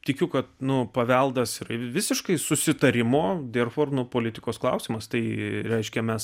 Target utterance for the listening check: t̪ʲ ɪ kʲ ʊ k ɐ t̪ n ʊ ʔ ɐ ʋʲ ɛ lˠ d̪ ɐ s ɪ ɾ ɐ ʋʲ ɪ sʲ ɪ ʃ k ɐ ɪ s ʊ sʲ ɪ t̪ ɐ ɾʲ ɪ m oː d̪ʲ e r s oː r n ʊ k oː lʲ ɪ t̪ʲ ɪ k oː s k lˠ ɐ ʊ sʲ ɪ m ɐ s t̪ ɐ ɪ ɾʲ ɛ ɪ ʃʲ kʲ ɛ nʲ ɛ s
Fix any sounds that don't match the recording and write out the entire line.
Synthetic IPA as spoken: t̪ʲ ɪ kʲ ʊ k ɐ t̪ n ʊ p ɐ ʋʲ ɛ lˠ d̪ ɐ s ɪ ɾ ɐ ʋʲ ɪ sʲ ɪ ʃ k ɐ ɪ s ʊ sʲ ɪ t̪ ɐ ɾʲ ɪ m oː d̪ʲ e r f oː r n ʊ p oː lʲ ɪ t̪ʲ ɪ k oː s k lˠ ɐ ʊ sʲ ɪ m ɐ s t̪ ɐ ɪ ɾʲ ɛ ɪ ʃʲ kʲ ɛ mʲ ɛ s